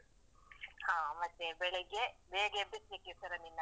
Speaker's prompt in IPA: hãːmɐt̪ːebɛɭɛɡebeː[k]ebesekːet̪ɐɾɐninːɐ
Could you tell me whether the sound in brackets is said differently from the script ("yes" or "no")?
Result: yes